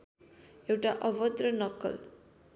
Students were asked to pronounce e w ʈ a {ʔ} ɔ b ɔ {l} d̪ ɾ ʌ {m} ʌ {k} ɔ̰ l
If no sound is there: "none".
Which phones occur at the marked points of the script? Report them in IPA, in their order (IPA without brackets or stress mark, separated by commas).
ʔ, none, n, k